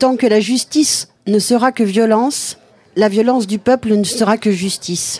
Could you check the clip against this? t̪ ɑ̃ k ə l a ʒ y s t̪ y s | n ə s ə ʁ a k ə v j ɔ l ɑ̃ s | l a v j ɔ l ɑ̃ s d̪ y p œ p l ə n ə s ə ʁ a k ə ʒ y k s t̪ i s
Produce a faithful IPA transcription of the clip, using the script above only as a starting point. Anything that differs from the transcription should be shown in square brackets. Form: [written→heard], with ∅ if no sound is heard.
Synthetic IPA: t̪ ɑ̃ k ə l a ʒ y s t̪ [y→i] s | n ə s ə ʁ a k ə v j ɔ l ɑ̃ s | l a v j ɔ l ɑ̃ s d̪ y p œ p l ə n ə s ə ʁ a k ə ʒ y [k→∅] s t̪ i s